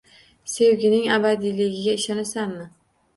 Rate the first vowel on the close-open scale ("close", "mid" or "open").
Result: mid